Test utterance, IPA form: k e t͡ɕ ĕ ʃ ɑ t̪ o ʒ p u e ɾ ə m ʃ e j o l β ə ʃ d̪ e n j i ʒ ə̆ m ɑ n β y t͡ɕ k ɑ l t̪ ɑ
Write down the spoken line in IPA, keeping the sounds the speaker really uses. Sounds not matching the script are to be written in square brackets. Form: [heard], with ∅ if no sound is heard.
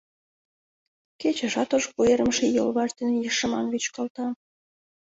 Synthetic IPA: k e t͡ɕ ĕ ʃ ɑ t̪ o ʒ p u e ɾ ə m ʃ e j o l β [ɑ] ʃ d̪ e n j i [ʃ] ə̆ m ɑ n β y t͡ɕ k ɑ l t̪ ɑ